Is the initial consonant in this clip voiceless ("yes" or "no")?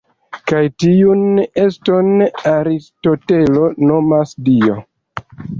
yes